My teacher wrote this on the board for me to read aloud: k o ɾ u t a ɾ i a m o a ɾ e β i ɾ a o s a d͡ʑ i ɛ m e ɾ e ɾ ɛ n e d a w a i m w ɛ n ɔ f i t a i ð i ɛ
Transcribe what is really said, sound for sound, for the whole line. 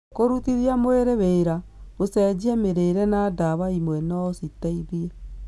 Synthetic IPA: k o ɾ u t i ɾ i a m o e ɾ e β e ɾ a o s ɛ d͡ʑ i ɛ m e ɾ e ɾ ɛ n a d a β a i m w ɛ n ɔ s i t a i ð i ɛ